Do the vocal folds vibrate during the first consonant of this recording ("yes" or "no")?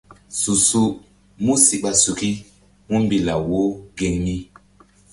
no